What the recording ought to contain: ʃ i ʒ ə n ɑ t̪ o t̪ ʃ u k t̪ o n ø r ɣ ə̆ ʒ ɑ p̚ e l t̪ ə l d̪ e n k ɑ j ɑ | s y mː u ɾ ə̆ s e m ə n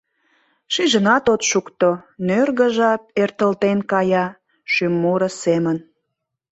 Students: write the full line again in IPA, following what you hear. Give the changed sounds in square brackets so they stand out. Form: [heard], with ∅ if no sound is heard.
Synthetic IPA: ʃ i ʒ ə n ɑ t̪ o t̪ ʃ u k t̪ o n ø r ɣ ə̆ ʒ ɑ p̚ e [r] t̪ ə l [t̪] e n k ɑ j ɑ | [ʃ] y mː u ɾ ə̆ s e m ə n